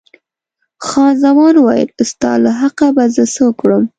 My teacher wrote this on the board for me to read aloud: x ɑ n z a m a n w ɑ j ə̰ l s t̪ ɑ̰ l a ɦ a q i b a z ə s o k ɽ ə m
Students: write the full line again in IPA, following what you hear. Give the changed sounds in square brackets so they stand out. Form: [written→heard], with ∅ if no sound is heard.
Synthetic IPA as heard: x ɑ n z a m [a→ɑ] n w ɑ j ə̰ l s t̪ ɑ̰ l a ɦ a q [i→a] b a z ə s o k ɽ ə m